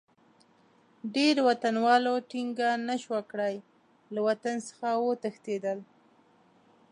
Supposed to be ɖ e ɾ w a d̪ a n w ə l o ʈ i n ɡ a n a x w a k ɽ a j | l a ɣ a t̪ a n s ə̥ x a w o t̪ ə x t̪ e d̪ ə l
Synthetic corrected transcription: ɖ e ɾ w a t̪ a n w ɑ l o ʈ i ŋ ɡ a n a ʃ w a k ɽ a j | l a w a t̪ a n s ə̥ x a w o t̪ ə x t̪ e d̪ ə l